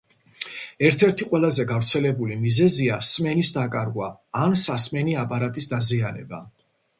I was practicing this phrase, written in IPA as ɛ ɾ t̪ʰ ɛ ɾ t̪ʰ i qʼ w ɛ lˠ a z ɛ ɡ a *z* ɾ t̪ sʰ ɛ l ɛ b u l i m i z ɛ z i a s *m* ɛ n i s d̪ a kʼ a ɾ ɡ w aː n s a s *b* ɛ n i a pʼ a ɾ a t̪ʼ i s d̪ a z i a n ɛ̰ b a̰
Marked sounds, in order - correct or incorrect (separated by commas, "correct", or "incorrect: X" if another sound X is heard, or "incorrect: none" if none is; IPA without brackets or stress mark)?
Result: incorrect: v, correct, incorrect: m